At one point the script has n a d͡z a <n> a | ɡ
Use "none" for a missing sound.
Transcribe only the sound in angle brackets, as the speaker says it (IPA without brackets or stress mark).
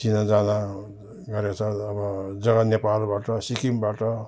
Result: n